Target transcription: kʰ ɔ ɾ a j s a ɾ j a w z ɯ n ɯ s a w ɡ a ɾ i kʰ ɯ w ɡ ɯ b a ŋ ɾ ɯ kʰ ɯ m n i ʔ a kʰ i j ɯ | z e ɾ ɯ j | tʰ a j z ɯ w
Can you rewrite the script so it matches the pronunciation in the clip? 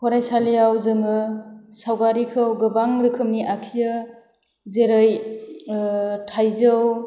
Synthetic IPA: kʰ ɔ ɾ a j s a l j a w z ɯ ŋ ɯ s a w ɡ a ɾ i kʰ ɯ w ɡ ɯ b a ŋ ɾ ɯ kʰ ɯ m n i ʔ a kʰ i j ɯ | z e ɾ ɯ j | tʰ a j z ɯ w